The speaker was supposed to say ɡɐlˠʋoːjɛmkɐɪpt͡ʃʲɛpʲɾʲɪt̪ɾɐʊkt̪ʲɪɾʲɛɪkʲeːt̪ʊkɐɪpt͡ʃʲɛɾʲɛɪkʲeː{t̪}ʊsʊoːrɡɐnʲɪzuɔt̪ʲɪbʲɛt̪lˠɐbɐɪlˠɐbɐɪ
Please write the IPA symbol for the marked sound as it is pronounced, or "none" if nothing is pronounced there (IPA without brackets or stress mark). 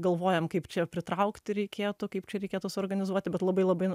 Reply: t̪